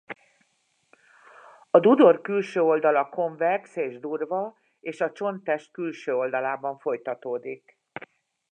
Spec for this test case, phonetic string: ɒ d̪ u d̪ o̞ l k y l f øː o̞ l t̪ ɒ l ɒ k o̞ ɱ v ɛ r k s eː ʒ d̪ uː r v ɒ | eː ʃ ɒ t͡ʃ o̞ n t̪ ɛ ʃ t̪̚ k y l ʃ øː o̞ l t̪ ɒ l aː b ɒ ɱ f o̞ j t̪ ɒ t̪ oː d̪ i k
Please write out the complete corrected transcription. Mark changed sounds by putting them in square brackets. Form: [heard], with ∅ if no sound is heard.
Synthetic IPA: ɒ d̪ u d̪ o̞ [r] k y l [ʃ] øː o̞ l [d̪] ɒ l ɒ k o̞ ɱ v ɛ r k s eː ʒ d̪ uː r v ɒ | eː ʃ ɒ t͡ʃ o̞ n t̪ ɛ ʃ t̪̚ k y l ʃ øː o̞ l [d̪] ɒ l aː b ɒ ɱ f o̞ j t̪ ɒ t̪ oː d̪ i k